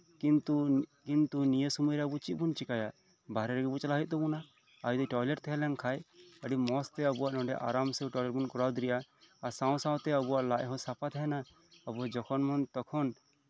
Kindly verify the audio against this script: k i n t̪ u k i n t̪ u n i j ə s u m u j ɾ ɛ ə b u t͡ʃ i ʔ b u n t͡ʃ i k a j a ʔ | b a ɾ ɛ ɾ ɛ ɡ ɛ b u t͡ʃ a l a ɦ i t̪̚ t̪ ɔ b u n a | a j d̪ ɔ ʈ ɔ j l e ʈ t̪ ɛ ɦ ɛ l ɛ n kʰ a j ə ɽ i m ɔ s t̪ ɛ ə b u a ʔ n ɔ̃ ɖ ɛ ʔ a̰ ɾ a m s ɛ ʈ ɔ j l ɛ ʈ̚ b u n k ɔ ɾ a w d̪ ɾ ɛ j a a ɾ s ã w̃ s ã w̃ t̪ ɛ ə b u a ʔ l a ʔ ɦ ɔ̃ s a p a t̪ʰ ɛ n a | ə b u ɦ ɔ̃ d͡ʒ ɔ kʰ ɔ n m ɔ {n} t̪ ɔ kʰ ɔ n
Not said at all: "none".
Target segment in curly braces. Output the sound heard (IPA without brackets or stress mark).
n